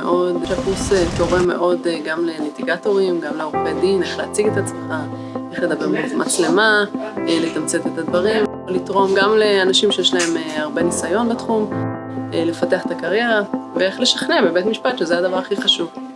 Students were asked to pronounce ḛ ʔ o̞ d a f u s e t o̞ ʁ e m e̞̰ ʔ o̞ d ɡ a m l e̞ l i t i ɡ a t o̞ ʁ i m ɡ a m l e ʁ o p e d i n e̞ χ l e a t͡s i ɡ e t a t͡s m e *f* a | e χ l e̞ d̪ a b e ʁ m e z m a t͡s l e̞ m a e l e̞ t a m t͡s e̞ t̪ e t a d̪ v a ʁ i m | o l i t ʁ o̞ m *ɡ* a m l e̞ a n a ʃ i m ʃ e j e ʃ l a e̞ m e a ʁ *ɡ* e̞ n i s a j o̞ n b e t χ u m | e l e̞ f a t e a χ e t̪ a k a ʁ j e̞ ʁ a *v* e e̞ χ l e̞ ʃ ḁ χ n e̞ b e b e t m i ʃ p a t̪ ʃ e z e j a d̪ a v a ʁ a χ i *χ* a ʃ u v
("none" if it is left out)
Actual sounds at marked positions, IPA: χ, ɡ, b, v, χ

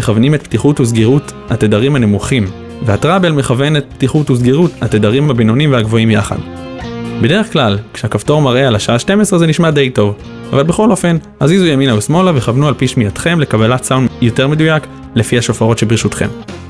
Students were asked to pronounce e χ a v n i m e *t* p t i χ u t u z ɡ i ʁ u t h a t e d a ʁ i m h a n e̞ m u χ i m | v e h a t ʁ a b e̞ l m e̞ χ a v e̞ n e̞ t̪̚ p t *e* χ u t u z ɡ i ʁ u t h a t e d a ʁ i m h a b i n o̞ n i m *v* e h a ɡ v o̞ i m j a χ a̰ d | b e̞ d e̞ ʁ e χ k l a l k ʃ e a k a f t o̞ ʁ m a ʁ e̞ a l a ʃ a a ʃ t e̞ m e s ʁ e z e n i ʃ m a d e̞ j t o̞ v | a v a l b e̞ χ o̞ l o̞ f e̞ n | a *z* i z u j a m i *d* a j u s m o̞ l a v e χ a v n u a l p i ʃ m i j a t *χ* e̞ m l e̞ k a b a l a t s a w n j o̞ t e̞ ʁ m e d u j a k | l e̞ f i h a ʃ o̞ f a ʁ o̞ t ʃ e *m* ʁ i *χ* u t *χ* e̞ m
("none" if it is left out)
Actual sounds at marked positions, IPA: t, i, v, z, n, χ, b, ʃ, χ

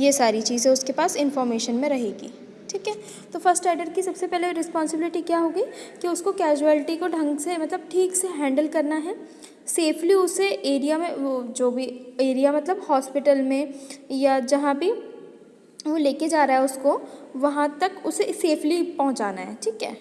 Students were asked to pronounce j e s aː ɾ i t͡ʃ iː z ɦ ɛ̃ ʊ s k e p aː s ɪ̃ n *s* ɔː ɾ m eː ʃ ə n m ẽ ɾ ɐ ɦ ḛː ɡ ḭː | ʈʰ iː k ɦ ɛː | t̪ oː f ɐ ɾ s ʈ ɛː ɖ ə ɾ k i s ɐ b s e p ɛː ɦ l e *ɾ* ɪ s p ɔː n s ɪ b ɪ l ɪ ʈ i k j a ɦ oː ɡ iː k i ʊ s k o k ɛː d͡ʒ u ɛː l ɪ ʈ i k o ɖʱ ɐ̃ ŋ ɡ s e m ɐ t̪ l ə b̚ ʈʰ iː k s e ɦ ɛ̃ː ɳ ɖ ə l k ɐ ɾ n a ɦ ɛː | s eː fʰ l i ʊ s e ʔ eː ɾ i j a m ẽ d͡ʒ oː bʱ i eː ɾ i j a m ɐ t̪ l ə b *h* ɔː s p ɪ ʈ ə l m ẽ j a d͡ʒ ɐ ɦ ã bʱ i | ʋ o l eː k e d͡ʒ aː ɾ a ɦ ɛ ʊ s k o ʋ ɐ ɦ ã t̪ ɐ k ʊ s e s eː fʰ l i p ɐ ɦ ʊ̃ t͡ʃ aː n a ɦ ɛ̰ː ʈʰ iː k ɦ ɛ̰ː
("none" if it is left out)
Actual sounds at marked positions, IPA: f, ɾ, h

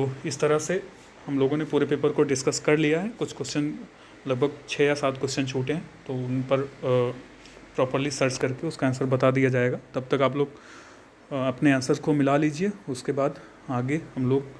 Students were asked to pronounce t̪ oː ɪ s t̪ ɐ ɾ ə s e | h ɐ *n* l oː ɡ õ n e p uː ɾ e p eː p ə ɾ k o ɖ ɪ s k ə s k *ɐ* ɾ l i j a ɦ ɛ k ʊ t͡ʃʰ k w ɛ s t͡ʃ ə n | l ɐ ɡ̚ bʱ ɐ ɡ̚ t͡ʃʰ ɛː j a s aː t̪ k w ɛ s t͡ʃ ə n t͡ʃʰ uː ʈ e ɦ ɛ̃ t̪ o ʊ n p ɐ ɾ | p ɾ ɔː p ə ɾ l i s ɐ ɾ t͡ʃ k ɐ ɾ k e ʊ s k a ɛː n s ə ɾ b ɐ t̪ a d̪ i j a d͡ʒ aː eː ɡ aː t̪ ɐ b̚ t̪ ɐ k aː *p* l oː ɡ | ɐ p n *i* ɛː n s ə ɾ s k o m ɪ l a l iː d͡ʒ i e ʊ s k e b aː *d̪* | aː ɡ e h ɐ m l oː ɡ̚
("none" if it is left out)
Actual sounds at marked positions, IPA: m, ɐ, p, e, d̪

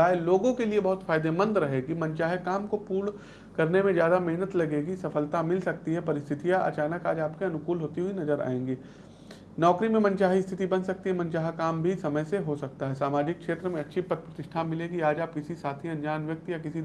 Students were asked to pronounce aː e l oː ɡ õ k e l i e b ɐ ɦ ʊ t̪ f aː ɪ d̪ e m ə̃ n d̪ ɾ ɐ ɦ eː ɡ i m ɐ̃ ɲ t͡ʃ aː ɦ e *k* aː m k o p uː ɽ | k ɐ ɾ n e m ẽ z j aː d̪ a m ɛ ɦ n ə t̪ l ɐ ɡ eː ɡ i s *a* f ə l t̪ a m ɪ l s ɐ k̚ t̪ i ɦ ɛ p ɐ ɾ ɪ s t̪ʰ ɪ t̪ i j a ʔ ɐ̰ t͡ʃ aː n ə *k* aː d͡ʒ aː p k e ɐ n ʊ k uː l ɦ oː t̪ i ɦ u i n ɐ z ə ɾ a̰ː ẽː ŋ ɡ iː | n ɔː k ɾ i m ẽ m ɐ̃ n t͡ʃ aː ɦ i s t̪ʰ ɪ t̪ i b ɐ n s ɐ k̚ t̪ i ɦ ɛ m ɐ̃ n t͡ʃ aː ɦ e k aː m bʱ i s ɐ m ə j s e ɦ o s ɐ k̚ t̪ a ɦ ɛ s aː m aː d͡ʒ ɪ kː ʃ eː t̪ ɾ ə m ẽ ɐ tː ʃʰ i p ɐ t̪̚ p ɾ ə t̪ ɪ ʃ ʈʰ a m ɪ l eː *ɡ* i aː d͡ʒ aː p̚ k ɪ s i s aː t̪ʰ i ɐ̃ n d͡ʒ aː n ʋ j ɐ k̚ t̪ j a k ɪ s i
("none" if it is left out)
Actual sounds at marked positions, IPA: k, ɐ, k, ɡ

